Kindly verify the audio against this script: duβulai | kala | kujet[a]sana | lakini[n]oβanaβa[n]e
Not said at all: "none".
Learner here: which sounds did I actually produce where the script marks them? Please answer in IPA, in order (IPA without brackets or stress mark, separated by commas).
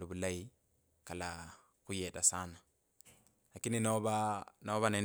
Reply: a, n, n